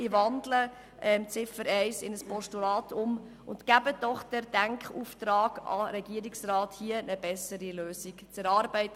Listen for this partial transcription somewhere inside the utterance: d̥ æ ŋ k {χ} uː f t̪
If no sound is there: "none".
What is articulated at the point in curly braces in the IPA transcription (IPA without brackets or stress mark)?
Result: χ